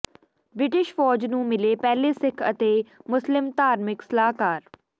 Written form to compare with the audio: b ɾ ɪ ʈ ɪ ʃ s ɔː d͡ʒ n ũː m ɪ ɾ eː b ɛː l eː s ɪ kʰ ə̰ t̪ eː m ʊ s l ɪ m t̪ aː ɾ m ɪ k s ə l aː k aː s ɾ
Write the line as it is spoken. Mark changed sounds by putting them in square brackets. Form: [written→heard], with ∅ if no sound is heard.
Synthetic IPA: b ɾ ɪ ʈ ɪ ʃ [s→f] ɔː d͡ʒ n ũː m ɪ [ɾ→l] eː [b→p] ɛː l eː s ɪ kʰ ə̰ t̪ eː m ʊ s l ɪ m t̪ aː ɾ m ɪ k s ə l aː k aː [s→∅] ɾ